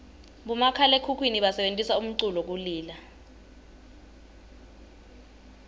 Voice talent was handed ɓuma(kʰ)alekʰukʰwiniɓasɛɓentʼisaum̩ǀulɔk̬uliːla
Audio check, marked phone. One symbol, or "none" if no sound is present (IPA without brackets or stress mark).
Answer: kʰ